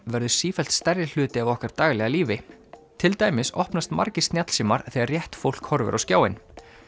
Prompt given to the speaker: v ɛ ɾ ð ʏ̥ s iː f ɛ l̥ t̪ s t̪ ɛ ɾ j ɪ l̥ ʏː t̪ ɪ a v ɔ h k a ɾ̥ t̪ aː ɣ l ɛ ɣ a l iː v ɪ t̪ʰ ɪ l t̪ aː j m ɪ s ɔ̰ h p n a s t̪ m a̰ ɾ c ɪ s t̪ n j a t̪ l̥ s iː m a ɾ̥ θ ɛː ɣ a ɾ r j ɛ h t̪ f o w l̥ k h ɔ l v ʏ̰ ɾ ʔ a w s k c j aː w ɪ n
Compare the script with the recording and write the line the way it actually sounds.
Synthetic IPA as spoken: v ɛ ɾ ð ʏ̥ s iː f ɛ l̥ t̪ s t̪ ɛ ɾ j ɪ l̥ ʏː t̪ ɪ a v ɔ h k a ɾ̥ t̪ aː ɣ l ɛ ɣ a l iː v ɪ t̪ʰ ɪ l t̪ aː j m ɪ s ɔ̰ h p n a s t̪ m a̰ ɾ c ɪ s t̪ n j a t̪ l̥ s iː m a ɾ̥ θ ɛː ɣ a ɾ r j ɛ h t̪ f o w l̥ k h ɔ ɾ v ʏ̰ ɾ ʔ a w s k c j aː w ɪ n